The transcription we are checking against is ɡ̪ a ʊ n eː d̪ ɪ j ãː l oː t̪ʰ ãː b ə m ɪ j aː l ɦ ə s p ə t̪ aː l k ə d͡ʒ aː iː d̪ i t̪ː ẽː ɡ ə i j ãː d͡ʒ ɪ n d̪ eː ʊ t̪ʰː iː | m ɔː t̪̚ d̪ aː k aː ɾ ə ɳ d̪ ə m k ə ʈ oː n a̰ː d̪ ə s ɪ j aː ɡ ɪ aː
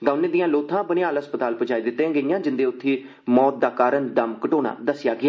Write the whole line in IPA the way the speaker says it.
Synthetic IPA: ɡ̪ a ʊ n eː d̪ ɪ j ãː l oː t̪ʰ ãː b ə n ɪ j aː l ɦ ə s p ə t̪ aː l p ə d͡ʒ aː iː d̪ ɪ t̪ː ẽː ɡ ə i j ãː d͡ʒ ɪ n d̪ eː ʊ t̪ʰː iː | m ɔː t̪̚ d̪ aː k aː ɾ ə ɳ d̪ ə m k ə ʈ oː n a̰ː d̪ ə s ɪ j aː ɡ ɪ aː